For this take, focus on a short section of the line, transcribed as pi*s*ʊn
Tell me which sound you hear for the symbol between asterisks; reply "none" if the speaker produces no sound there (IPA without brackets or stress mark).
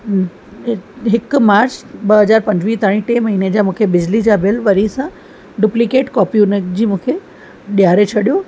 none